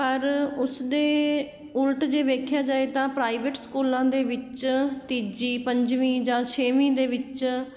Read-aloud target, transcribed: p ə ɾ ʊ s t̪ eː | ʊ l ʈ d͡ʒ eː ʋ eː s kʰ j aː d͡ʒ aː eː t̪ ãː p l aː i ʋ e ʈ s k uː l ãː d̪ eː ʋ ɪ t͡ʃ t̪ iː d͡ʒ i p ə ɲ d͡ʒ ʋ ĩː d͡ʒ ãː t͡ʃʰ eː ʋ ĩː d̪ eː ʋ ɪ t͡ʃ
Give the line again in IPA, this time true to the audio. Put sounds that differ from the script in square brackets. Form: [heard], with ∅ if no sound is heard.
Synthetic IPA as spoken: p ə ɾ ʊ s [d̪] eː | ʊ l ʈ d͡ʒ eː ʋ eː [∅] kʰ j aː d͡ʒ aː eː t̪ ãː p [ɾ] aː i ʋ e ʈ s k uː l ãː d̪ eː ʋ ɪ t͡ʃ t̪ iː d͡ʒ [iː] p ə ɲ d͡ʒ ʋ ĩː d͡ʒ ãː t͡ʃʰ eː ʋ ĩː d̪ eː ʋ ɪ t͡ʃ